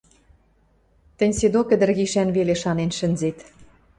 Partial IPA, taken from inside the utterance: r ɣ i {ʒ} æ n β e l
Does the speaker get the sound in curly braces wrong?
yes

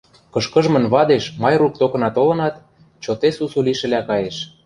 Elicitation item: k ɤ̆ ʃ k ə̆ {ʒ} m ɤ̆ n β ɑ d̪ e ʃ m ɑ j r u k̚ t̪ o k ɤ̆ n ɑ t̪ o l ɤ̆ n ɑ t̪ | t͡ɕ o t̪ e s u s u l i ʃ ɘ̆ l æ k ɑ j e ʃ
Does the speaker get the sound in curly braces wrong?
no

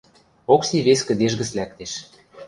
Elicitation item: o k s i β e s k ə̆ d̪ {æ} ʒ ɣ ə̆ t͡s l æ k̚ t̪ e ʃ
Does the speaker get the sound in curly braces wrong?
yes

